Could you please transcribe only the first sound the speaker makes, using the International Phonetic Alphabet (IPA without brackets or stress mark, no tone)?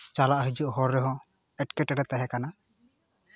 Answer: t͡ʃ